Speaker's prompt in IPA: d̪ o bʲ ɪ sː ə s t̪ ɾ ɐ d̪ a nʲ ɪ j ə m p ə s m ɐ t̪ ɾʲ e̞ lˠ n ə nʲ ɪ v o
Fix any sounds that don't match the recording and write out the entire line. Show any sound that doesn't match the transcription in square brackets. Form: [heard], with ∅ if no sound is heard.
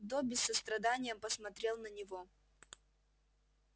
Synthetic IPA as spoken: d̪ o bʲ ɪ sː ə s t̪ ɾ ɐ d̪ a nʲ ɪ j ə m p ə s m ɐ t̪ ɾʲ e̞ lˠ n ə nʲ ɪ v o